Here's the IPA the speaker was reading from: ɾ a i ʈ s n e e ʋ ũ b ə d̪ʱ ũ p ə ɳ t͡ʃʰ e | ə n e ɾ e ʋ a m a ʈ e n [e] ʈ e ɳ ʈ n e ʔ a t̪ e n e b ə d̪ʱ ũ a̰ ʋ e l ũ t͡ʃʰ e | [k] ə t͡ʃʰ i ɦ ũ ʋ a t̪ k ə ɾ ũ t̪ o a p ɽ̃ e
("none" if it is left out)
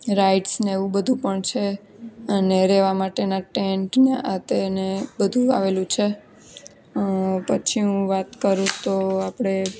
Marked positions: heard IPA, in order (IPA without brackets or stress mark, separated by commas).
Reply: a, p